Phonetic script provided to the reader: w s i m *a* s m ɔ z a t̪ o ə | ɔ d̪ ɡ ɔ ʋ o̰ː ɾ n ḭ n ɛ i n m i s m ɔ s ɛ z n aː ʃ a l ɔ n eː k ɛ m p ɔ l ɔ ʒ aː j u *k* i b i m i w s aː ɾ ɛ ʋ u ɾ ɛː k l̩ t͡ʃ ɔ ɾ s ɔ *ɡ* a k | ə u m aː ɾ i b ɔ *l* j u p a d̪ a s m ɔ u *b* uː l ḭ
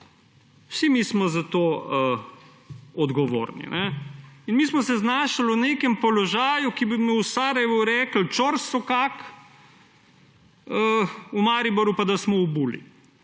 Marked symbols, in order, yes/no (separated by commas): no, yes, no, no, yes